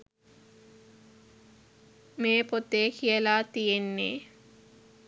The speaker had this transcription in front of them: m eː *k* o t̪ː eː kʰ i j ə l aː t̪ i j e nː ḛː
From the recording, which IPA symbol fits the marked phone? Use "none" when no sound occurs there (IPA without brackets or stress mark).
p